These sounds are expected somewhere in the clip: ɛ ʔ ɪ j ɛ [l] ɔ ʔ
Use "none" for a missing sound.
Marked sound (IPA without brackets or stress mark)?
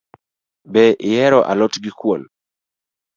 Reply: ɾ